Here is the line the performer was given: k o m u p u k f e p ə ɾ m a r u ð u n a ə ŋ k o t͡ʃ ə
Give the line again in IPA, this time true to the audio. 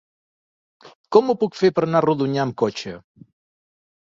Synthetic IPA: k ɔ m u p u k f e p ə ɾ n a r u ð u ɲ a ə m k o t͡ʃ ə